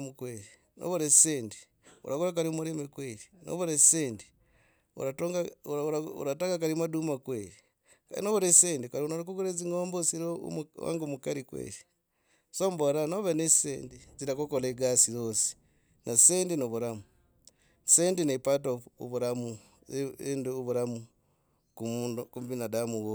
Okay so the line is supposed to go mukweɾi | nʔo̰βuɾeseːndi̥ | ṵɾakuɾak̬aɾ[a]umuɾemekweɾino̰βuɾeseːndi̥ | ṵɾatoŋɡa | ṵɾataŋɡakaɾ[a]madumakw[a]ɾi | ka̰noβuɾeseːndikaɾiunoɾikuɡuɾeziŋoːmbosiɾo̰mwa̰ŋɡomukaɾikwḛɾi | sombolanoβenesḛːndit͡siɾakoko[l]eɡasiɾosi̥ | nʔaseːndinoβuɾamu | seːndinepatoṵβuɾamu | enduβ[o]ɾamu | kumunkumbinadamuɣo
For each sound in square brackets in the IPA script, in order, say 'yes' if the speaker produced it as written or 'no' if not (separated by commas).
no, no, no, yes, no